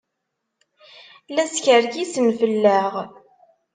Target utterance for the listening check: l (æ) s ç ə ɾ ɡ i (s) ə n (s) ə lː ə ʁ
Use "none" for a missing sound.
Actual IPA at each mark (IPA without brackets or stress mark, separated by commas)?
æ, s, f